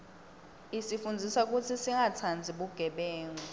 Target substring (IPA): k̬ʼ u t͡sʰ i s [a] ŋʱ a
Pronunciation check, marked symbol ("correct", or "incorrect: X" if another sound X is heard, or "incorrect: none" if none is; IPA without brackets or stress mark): incorrect: i